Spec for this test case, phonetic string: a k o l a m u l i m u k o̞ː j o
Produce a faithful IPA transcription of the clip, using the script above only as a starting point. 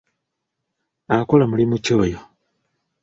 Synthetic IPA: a k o l a m u l i m u c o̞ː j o